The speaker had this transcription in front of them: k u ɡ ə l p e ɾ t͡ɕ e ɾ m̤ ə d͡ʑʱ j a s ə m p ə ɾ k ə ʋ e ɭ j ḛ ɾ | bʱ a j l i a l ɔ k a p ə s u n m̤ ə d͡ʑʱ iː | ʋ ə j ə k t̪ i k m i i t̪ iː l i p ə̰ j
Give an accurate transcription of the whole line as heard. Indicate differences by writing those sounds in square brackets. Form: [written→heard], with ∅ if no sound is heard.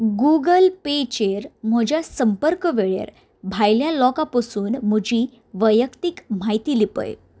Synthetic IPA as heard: [k→ɡ] u ɡ ə l p e [ɾ→∅] t͡ɕ e ɾ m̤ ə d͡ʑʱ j a s ə m p ə ɾ k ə ʋ e ɭ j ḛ ɾ | bʱ a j l [i→j] a l ɔ k a p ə s [u→uː] n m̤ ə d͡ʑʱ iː | ʋ ə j ə k t̪ i k m [i→a] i t̪ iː l i p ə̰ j